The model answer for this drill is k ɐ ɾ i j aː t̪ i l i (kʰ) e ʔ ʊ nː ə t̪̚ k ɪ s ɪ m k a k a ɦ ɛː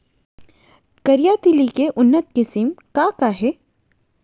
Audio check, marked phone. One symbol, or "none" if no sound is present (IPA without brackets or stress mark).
k